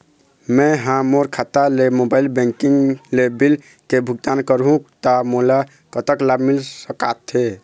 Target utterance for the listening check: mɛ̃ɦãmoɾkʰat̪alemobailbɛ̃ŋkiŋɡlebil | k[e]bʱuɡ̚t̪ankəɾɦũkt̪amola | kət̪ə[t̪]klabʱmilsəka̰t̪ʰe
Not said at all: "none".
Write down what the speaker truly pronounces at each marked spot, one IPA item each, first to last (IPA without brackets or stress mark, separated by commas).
e, none